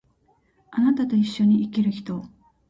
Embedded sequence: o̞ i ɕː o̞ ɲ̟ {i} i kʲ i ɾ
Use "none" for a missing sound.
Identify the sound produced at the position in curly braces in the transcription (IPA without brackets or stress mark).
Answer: i